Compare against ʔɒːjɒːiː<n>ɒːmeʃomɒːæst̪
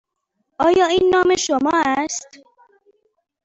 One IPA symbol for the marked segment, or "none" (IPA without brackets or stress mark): nː